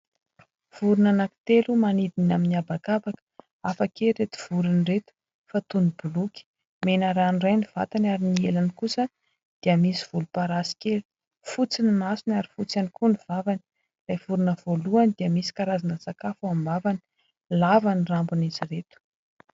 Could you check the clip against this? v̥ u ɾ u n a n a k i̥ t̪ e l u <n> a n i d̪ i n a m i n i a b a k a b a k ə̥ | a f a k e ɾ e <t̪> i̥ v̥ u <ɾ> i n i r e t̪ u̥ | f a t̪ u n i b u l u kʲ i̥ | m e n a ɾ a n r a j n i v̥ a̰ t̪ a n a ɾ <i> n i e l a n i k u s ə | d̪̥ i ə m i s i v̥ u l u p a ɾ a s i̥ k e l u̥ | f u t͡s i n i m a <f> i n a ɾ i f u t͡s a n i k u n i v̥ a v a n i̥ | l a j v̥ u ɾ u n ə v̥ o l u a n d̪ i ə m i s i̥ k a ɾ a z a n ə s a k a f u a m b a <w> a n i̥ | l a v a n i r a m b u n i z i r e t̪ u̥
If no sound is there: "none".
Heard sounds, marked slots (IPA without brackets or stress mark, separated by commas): m, t̪, ɾ, i, s, v